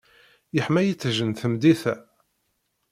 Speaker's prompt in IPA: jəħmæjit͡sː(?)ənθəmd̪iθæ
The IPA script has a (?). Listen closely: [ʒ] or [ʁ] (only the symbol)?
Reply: ʒ